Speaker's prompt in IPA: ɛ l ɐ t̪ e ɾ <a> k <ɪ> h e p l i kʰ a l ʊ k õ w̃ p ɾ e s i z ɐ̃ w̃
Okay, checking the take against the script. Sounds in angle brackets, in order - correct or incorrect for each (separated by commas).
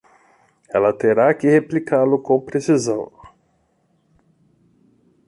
correct, correct